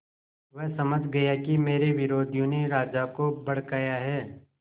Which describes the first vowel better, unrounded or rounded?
unrounded